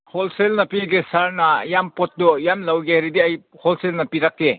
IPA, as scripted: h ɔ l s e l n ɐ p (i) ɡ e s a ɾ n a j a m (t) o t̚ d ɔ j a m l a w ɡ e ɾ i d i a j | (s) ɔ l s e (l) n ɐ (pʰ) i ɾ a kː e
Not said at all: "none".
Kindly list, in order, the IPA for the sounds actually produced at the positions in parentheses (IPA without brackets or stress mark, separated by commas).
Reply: i, p, h, l, p